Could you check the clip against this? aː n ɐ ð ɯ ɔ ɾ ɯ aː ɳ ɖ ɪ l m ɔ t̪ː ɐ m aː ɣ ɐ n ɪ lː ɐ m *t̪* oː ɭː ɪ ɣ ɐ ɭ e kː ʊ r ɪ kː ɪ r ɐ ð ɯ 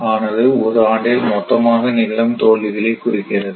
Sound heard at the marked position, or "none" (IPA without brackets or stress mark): t̪